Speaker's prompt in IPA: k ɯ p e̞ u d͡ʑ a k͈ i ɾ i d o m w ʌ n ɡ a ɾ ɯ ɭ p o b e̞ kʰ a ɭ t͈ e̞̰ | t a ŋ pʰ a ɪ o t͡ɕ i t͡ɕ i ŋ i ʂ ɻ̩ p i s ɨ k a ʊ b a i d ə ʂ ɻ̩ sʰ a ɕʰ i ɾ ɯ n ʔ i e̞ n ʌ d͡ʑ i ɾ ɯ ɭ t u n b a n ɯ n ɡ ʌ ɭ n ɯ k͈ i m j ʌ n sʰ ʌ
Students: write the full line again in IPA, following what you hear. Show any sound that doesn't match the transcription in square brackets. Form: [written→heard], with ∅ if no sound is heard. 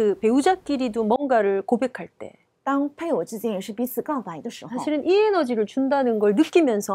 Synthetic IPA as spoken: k ɯ p e̞ u d͡ʑ a k͈ i ɾ i d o m w ʌ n ɡ a ɾ ɯ ɭ [p→k] o b e̞ kʰ a ɭ t͈ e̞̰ | t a ŋ pʰ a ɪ o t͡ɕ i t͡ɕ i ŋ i ʂ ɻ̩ p i s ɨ k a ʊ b a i d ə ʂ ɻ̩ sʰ a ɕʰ i ɾ ɯ n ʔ i e̞ n ʌ d͡ʑ i ɾ ɯ ɭ [t→t͡ɕ] u n [b→d] a n ɯ n ɡ ʌ ɭ n ɯ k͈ i m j ʌ n sʰ ʌ